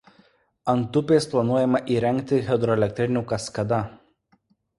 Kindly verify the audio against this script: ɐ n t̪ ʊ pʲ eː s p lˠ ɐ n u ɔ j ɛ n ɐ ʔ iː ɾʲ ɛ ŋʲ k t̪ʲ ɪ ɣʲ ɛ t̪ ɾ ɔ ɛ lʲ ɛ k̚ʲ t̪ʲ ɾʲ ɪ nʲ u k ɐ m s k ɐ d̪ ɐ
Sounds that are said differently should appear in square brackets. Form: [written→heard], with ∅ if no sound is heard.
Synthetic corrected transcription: ɐ n t̪ ʊ pʲ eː s p lˠ ɐ n u ɔ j ɛ [n→m] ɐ ʔ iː ɾʲ ɛ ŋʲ k t̪ʲ ɪ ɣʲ ɛ [t̪→d̪] ɾ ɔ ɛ lʲ ɛ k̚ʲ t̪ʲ ɾʲ ɪ nʲ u k ɐ [m→∅] s k ɐ d̪ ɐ